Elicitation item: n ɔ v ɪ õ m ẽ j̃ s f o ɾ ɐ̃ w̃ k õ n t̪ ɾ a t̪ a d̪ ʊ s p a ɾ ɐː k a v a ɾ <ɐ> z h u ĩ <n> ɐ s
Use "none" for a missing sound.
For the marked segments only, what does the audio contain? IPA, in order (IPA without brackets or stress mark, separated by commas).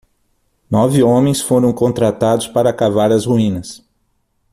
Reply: ɐ, n